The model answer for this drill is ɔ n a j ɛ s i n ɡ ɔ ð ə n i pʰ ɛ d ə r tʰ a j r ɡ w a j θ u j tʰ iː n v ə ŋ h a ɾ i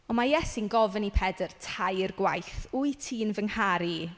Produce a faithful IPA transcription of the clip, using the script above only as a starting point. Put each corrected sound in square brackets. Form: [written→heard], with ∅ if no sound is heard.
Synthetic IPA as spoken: ɔ [n→m] a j ɛ s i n ɡ ɔ [ð→v] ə n i pʰ ɛ d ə r tʰ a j r ɡ w a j θ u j tʰ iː n v ə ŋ h a ɾ i